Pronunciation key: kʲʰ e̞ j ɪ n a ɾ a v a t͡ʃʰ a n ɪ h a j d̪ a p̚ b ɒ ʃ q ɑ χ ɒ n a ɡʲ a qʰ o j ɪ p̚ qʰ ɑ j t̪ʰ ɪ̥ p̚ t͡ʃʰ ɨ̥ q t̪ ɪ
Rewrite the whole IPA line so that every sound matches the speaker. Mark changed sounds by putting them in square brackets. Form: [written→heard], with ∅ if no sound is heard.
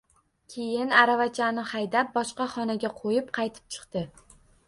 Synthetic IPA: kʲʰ e̞ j ɪ n a ɾ a v a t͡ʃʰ a n ɪ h a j d̪ a p̚ b ɒ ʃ q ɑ χ ɒ n a ɡʲ a qʰ o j ɪ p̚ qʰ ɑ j t̪ʰ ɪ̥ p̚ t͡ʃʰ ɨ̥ q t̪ ɪ

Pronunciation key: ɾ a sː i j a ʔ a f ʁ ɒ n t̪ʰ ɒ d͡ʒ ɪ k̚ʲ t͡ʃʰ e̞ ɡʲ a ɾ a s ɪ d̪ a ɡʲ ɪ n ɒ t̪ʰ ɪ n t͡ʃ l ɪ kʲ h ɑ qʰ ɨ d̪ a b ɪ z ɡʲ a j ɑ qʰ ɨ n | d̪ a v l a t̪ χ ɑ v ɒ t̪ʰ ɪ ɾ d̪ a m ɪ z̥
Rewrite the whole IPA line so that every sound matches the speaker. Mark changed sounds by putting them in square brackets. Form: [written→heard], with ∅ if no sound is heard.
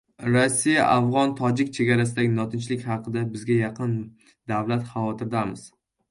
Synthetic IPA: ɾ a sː i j a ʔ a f ʁ ɒ n t̪ʰ ɒ d͡ʒ ɪ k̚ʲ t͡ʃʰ e̞ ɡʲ a ɾ a s ɪ d̪ a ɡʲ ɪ n ɒ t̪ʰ ɪ n t͡ʃ l ɪ kʲ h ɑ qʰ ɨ d̪ a b ɪ z ɡʲ a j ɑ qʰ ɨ n | d̪ a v l a t̪ χ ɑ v ɒ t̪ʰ ɪ ɾ d̪ a m ɪ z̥

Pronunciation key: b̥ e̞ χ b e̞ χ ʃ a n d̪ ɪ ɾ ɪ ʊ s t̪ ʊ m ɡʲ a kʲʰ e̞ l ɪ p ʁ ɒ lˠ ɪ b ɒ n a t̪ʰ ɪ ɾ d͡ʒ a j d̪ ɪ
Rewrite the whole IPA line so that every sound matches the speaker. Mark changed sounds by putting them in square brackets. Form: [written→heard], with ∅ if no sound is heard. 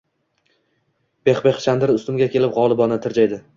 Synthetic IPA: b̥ e̞ χ b e̞ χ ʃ a n d̪ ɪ ɾ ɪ ʊ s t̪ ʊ m ɡʲ a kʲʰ e̞ l ɪ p ʁ ɒ lˠ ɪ b ɒ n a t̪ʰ ɪ ɾ d͡ʒ a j d̪ ɪ

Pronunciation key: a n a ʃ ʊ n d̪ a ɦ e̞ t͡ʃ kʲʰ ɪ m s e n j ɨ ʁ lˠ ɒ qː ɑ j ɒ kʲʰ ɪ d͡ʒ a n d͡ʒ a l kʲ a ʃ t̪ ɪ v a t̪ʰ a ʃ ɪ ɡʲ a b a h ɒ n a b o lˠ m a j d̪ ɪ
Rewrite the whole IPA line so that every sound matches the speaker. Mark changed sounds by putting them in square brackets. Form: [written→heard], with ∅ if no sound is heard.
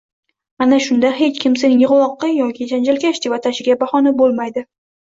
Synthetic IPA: a n a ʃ ʊ n d̪ a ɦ e̞ t͡ʃ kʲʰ ɪ m s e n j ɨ ʁ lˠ ɒ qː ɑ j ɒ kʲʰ ɪ d͡ʒ a n d͡ʒ a l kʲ a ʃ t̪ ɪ v a t̪ʰ a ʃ ɪ ɡʲ a b a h ɒ n a b o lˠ m a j d̪ ɪ

